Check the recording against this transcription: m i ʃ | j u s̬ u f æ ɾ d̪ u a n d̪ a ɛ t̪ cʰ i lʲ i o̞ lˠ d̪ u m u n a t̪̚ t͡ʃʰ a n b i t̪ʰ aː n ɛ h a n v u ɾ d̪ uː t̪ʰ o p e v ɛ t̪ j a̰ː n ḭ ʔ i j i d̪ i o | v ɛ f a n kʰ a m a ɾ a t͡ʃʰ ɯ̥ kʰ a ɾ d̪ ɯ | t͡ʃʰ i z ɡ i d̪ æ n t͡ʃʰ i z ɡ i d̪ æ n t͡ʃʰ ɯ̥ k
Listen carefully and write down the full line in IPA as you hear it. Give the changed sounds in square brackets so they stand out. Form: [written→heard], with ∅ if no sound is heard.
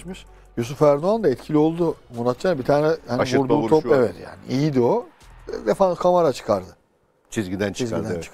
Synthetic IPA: m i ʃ | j u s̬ u f æ ɾ d̪ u a n d̪ a ɛ t̪ cʰ i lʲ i o̞ lˠ d̪ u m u n a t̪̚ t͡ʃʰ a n b i t̪ʰ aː n ɛ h a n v u ɾ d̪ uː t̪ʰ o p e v ɛ t̪ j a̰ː n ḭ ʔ i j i d̪ i o | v ɛ f a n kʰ a m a ɾ a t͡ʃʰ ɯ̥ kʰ a ɾ d̪ ɯ | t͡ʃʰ i z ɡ i d̪ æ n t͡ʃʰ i z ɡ i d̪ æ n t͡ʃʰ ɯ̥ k

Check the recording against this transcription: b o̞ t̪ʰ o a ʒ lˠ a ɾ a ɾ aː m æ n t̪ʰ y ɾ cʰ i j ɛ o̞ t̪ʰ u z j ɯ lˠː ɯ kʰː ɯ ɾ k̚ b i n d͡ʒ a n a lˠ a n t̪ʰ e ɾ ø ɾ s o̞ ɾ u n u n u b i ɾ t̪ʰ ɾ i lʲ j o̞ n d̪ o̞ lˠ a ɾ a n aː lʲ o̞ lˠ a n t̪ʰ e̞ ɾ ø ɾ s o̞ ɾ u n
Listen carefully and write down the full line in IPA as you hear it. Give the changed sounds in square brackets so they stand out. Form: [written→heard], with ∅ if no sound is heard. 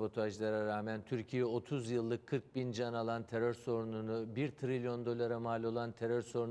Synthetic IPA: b o̞ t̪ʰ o a ʒ lˠ a ɾ a ɾ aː m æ n t̪ʰ y ɾ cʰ i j ɛ o̞ t̪ʰ u z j ɯ lˠː ɯ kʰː ɯ ɾ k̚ b i n d͡ʒ a n a lˠ a n t̪ʰ e ɾ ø ɾ s o̞ ɾ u n u n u b i ɾ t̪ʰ ɾ i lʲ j o̞ n d̪ o̞ lˠ a ɾ a [n→m] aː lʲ o̞ lˠ a n t̪ʰ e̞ ɾ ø ɾ s o̞ ɾ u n

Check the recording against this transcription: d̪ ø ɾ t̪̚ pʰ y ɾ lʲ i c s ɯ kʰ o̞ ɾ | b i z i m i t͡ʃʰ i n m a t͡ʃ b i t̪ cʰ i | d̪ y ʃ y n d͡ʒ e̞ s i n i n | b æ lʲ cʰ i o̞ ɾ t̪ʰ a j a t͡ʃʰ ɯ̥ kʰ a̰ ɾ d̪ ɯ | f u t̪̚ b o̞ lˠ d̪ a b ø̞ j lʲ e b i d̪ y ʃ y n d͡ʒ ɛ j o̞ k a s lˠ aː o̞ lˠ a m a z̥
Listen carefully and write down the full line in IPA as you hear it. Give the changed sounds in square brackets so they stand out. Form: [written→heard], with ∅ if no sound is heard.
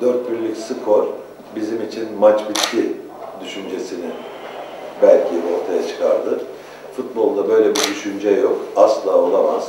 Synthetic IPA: d̪ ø ɾ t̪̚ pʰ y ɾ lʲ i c s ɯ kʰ o̞ ɾ | b i z i m i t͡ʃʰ i n m a t͡ʃ b i t̪ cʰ i | d̪ y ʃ y n d͡ʒ e̞ s i n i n | b æ lʲ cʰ i o̞ ɾ t̪ʰ a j a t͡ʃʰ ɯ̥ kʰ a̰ ɾ d̪ ɯ | f u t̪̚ b o̞ lˠ d̪ a b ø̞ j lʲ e b i d̪ y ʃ y n d͡ʒ ɛ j o̞ k a s lˠ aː o̞ lˠ a m a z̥

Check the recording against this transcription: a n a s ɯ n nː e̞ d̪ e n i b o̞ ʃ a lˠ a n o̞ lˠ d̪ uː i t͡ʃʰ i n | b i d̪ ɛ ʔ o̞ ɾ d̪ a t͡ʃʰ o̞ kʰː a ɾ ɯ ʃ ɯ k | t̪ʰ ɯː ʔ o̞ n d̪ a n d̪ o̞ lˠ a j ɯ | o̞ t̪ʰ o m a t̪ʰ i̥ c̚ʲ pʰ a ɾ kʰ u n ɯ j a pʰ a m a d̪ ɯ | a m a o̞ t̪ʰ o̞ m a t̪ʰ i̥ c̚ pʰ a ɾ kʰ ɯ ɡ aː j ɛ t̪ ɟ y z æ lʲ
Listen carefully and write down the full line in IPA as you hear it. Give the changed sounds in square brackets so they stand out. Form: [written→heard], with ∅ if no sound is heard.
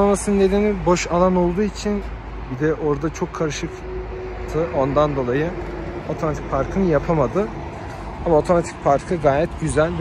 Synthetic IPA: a [n→m] a s ɯ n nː e̞ d̪ e n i b o̞ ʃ a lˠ a n o̞ lˠ d̪ uː i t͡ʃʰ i n | b i d̪ ɛ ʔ o̞ ɾ d̪ a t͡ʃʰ o̞ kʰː a ɾ ɯ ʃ ɯ k | t̪ʰ [ɯː→ɯ] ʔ o̞ n d̪ a n d̪ o̞ lˠ a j ɯ | o̞ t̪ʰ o m a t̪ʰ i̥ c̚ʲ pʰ a ɾ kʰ [u→ɯ] n ɯ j a pʰ a m a d̪ ɯ | a m a o̞ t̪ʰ o̞ m a t̪ʰ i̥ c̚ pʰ a ɾ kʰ ɯ ɡ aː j ɛ t̪ ɟ y z æ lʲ

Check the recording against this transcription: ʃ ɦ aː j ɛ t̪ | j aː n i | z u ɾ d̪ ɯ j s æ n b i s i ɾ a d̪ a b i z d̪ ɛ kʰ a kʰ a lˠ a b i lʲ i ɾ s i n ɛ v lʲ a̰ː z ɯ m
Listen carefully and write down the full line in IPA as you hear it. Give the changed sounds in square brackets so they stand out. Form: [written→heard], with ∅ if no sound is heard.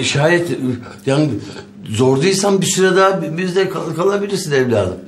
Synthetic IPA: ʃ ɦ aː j ɛ t̪ | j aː n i | z [u→o] ɾ d̪ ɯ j s [æ→a] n b i s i ɾ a d̪ a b i z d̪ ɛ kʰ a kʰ a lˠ a b i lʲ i ɾ s i n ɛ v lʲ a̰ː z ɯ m

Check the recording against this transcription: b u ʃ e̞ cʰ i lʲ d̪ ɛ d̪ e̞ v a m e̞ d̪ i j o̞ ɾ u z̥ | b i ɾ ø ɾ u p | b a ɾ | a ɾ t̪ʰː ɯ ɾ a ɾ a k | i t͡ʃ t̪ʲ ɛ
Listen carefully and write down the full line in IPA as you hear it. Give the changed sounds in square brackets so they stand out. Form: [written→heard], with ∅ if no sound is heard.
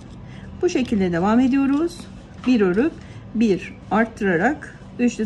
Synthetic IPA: b u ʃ e̞ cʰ i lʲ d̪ ɛ d̪ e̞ v a m e̞ d̪ i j o̞ ɾ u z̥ | b i ɾ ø ɾ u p | b [a→i] ɾ | a ɾ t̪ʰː ɯ ɾ a ɾ a k | [i→y] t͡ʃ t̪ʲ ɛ

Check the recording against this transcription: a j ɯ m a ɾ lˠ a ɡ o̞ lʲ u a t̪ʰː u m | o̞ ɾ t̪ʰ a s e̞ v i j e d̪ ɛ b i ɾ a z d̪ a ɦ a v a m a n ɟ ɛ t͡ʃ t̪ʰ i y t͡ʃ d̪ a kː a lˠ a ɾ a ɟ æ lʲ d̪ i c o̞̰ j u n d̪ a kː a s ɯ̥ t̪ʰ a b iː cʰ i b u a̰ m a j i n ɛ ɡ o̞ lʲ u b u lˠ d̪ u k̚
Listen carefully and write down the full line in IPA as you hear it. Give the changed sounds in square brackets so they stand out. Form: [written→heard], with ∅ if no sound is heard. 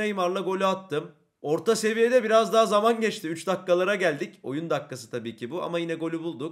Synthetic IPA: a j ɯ m a ɾ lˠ a ɡ o̞ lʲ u a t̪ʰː [u→ɯ] m | o̞ ɾ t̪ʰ a s e̞ v i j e d̪ ɛ b i ɾ a z d̪ a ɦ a [v→z] a m a n ɟ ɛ t͡ʃ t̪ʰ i y t͡ʃ d̪ a kː a lˠ a ɾ a ɟ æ lʲ d̪ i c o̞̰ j u n d̪ a kː a s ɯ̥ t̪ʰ a b iː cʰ i b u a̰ m a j i n ɛ ɡ o̞ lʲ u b u lˠ d̪ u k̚

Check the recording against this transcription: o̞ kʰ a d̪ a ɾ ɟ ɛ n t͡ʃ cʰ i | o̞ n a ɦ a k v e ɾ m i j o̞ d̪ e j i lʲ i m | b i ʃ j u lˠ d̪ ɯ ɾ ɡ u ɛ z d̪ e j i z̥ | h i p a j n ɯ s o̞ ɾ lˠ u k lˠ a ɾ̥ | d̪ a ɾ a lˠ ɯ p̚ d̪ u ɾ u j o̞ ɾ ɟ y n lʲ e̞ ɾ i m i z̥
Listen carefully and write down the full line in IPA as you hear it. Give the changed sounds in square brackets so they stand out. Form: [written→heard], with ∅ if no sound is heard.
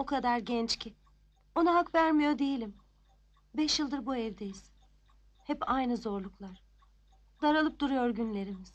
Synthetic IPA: o̞ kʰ a d̪ a ɾ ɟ ɛ n t͡ʃ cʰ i | o̞ n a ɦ a k v [e→æ] ɾ m i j o̞ d̪ e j i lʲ i m | b [i→ɛ] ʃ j [u→ɯ] lˠ d̪ ɯ ɾ [ɡ→b] u ɛ [z→v] d̪ e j i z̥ | h [i→ɛ] p a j n ɯ [s→z] o̞ ɾ lˠ u k lˠ a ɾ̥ | d̪ a ɾ a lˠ ɯ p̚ d̪ u ɾ u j o̞ ɾ ɟ y n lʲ e̞ ɾ i m i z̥

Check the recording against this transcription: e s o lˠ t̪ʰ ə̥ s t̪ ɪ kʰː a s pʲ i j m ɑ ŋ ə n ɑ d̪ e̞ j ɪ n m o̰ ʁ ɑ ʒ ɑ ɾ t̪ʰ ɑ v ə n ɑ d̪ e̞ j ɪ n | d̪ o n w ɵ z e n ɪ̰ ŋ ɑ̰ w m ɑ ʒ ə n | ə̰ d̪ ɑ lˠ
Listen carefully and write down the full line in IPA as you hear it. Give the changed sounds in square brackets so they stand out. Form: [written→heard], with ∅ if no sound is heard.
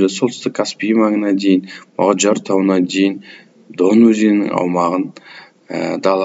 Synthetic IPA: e s o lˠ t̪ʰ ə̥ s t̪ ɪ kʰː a s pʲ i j m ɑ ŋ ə n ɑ d̪ e̞ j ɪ n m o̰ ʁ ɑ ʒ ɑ ɾ t̪ʰ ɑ [v→w] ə n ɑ d̪ e̞ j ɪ n | d̪ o n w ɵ z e n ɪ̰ ŋ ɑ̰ w m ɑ [ʒ→ʁ] ə n | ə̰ d̪ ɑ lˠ

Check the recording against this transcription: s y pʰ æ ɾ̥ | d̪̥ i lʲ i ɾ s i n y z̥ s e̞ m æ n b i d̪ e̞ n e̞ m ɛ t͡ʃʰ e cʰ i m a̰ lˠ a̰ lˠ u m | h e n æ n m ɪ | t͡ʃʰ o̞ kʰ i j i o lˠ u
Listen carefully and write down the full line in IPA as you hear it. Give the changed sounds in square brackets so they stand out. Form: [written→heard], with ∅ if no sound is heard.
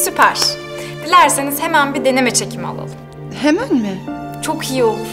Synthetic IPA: s y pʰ æ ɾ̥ | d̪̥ i lʲ [i→æ] ɾ s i n [y→i] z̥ [s→h] e̞ m æ n b i d̪ e̞ n e̞ m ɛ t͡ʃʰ e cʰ i m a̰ lˠ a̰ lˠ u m | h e [n→m] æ n m ɪ | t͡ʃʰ o̞ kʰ i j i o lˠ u

